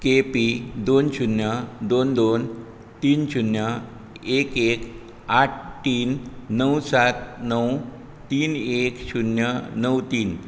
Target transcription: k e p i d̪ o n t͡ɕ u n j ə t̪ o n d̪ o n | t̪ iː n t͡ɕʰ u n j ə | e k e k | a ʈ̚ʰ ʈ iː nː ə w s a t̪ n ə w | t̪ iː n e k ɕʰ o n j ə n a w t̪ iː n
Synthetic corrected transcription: k e p i d̪ o n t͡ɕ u n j ə d̪ o n d̪ o n | t̪ iː n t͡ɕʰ u n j ə | e k e k | a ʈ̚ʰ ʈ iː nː ə w s a t̪ n ə w | t̪ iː n e k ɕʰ u n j ə n ə w t̪ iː n